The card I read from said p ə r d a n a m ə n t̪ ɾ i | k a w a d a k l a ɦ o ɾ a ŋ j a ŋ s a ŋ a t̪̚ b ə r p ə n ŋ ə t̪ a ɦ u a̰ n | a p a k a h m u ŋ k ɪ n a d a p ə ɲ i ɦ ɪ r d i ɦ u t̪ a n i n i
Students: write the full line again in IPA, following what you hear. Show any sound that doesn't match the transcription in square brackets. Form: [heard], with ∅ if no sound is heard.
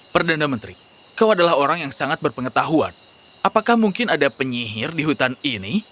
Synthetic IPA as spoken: p ə r d a n a m ə n t̪ ɾ i | k a w a d a [∅] l a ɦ o ɾ a ŋ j a ŋ s a ŋ a t̪̚ b ə r p ə [∅] ŋ ə t̪ a ɦ u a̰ n | a p a k a h m u ŋ k ɪ n a d a p ə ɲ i ɦ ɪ r d i ɦ u t̪ a n i n i